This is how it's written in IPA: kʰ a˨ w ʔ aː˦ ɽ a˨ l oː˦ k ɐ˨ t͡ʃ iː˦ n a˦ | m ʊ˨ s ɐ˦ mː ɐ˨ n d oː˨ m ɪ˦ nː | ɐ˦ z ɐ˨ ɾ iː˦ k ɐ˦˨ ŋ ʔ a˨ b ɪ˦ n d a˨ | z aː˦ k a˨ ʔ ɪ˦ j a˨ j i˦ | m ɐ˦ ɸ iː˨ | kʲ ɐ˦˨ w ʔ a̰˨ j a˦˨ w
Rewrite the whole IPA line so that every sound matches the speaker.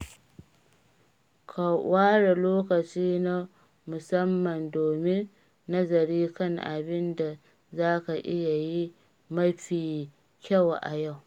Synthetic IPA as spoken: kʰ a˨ w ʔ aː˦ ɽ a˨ l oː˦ k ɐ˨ t͡ʃ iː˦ n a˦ | m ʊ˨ s ɐ˦ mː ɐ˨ n d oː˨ m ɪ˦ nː | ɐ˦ z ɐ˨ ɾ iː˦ k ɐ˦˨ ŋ ʔ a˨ b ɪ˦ n d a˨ | z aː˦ k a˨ ʔ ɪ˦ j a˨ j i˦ | m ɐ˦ ɸ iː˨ | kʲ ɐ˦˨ w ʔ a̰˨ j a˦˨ w